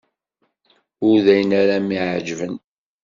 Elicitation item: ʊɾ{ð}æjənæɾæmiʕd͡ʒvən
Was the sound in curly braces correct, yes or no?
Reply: yes